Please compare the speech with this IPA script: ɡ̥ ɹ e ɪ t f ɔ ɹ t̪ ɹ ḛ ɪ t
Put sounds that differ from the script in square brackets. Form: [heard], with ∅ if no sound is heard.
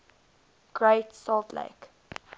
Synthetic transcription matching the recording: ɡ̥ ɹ e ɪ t [s] ɔ [l] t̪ [l] ḛ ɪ [k]